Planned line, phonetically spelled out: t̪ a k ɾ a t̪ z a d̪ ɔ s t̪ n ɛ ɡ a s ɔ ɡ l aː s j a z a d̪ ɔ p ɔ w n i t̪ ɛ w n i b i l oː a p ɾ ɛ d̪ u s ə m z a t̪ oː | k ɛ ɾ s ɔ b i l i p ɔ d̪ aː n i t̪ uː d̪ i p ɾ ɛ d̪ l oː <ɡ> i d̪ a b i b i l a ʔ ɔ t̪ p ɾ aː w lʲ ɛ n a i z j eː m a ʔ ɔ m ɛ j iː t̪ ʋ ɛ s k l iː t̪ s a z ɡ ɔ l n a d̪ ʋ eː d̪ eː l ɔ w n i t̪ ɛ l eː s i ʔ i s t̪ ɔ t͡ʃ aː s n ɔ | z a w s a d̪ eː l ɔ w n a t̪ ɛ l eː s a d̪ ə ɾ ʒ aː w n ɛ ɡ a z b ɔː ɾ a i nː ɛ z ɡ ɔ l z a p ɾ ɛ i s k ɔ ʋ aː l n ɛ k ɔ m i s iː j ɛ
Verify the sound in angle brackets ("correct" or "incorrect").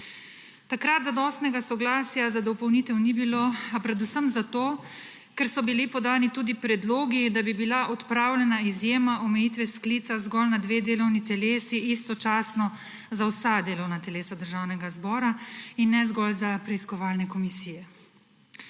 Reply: correct